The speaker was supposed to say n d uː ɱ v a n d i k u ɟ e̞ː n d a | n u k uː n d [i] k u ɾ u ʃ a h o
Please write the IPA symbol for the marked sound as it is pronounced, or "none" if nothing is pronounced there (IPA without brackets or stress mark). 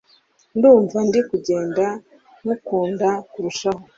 a